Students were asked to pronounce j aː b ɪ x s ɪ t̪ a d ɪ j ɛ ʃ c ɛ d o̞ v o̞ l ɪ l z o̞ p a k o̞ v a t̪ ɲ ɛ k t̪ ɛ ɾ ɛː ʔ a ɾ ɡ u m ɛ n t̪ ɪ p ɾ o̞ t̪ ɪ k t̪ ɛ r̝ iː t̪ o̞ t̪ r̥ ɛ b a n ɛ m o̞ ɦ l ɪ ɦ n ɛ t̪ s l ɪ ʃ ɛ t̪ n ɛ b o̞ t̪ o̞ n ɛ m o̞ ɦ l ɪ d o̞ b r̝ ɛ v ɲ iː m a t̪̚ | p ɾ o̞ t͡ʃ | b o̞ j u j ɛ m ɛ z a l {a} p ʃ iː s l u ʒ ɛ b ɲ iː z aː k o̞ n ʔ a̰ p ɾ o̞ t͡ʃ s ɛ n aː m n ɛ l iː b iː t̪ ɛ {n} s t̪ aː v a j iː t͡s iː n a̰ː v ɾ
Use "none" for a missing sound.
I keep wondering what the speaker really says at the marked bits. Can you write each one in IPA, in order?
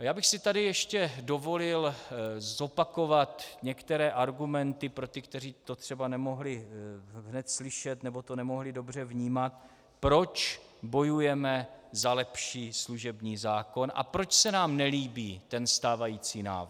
ɛ, n

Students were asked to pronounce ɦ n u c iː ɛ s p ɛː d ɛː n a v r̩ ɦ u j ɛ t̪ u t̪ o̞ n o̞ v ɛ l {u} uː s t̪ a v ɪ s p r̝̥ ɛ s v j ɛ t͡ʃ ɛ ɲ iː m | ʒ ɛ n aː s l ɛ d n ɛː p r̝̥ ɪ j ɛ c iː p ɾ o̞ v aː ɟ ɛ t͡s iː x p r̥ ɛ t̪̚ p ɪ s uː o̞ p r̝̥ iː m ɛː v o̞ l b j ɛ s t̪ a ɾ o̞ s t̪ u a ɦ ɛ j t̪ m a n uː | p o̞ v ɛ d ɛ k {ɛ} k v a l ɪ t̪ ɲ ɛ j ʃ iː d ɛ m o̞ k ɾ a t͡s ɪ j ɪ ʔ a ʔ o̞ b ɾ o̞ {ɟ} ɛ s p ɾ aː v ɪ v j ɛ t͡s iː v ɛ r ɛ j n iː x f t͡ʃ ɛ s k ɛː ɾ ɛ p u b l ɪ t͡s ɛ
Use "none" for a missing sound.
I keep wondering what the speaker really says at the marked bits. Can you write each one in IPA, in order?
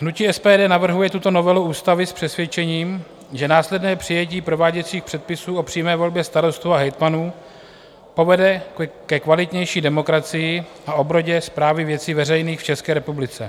u, ɛ, ɟ

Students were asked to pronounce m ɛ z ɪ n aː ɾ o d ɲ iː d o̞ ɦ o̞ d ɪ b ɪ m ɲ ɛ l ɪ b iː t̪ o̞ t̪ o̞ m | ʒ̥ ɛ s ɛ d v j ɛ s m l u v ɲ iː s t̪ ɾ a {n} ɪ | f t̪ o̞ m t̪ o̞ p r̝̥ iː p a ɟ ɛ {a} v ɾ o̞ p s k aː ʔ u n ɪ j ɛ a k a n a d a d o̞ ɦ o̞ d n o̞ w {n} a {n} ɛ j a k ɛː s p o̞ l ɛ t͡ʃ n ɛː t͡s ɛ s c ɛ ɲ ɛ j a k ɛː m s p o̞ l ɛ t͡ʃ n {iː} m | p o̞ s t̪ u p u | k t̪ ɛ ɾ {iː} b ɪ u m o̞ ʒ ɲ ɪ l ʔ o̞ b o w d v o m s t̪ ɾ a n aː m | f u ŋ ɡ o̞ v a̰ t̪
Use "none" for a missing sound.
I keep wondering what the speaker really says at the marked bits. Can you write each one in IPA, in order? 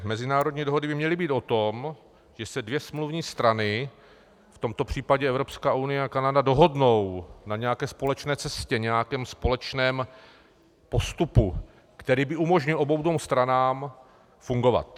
n, ɛ, n, ɲ, ɛː, iː

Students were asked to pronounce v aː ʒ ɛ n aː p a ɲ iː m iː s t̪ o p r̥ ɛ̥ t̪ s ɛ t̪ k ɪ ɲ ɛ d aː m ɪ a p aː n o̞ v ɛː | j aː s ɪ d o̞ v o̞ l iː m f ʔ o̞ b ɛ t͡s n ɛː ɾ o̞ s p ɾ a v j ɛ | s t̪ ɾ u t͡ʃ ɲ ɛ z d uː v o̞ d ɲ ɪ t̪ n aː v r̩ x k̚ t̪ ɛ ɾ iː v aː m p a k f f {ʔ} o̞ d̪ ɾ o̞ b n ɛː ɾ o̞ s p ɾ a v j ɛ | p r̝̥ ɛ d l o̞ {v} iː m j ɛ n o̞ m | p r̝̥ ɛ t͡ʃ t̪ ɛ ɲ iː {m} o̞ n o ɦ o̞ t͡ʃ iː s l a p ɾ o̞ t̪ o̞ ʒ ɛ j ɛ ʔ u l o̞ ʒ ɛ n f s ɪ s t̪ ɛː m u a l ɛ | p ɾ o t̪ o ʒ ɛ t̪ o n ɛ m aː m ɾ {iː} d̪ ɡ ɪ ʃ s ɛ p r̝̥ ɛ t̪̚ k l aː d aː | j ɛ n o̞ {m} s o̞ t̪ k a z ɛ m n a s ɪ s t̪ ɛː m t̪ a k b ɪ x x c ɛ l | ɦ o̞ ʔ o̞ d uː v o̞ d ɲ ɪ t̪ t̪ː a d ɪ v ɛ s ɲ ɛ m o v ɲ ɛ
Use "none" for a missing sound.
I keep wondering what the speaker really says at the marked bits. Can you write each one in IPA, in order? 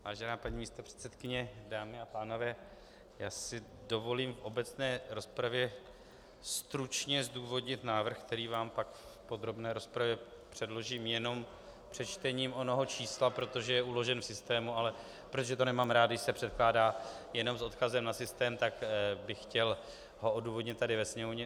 p, ʒ, m, aː, m

